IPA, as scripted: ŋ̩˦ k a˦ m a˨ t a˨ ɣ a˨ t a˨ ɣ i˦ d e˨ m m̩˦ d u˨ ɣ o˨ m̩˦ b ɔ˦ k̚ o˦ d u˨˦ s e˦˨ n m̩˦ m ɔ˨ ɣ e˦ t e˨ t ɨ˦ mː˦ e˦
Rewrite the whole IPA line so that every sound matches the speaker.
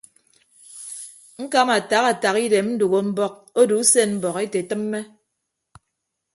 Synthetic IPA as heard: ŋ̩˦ k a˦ m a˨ t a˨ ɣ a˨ t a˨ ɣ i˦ d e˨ m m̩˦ d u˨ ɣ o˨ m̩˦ b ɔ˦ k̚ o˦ d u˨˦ s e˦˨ n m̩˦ b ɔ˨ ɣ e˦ t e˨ t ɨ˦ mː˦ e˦